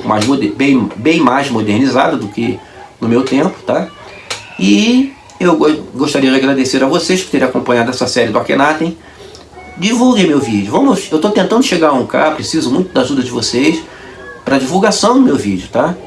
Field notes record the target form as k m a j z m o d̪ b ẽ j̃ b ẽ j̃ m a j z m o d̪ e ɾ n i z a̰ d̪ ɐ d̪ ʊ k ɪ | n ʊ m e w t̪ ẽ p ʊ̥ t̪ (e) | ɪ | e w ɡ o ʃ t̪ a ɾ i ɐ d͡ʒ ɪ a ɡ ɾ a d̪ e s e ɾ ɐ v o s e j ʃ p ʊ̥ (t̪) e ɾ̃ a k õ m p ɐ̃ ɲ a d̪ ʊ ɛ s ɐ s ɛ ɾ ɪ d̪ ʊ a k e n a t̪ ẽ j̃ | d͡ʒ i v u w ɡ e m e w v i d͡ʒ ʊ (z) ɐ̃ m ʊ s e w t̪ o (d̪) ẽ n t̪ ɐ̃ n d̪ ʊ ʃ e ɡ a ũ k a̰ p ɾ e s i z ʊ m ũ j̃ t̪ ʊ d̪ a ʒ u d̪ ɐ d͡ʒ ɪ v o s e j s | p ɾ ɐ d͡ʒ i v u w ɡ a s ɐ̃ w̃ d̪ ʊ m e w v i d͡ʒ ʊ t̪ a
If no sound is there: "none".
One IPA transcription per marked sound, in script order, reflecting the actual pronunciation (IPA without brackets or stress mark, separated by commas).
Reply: a, t̪, v, t̪